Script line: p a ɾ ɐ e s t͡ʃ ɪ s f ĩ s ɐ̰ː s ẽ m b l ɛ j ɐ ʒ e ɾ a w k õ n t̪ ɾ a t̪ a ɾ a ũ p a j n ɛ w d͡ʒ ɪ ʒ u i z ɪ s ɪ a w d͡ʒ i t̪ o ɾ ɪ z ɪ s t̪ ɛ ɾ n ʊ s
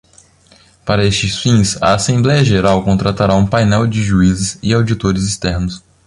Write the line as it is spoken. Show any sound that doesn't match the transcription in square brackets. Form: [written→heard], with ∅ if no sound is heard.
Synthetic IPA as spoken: p a ɾ ɐ e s t͡ʃ ɪ s f ĩ s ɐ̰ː s ẽ m b l ɛ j ɐ ʒ e ɾ a w k õ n t̪ ɾ a t̪ a ɾ a ũ p a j n ɛ w d͡ʒ ɪ ʒ u i z ɪ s ɪ a w d͡ʒ i t̪ o ɾ ɪ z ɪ s t̪ ɛ ɾ n ʊ s